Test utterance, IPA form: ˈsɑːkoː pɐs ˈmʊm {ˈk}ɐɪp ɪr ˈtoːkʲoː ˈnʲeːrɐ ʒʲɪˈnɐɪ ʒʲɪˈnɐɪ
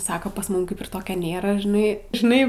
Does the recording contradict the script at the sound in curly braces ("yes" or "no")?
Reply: no